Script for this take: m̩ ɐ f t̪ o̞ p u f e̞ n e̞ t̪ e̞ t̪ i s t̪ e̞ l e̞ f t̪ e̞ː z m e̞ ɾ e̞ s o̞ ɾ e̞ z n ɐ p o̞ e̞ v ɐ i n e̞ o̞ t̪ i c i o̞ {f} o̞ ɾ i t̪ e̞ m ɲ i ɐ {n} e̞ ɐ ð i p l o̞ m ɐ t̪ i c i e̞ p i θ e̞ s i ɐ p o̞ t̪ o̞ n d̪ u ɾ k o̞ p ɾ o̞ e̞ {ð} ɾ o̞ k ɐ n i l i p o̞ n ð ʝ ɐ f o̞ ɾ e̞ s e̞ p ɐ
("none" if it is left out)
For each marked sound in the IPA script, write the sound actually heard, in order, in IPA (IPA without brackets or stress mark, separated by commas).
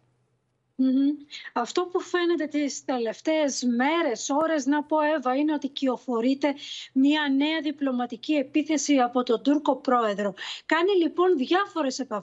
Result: f, n, ð